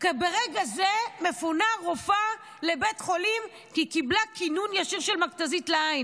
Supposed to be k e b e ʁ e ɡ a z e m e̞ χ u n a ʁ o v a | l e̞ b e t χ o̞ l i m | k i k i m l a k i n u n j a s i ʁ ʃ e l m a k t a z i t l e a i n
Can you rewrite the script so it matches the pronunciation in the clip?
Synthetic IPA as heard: k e b e ʁ e ɡ a z e m e̞ f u n a ʁ o f a | l e̞ b e t χ o̞ l i m | k i k i b l a k i n u n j a ʃ i ʁ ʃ e l m a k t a z i t l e a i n